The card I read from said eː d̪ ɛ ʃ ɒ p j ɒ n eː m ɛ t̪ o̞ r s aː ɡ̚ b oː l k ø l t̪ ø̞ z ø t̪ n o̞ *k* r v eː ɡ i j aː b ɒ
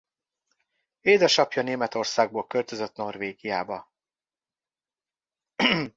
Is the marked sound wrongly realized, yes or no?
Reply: yes